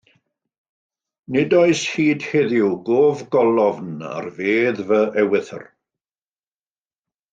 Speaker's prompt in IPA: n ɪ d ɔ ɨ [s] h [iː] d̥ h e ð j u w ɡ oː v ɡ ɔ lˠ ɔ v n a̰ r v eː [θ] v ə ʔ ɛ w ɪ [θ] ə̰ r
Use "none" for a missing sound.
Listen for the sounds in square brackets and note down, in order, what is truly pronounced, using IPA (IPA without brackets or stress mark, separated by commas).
s, iː, ð, θ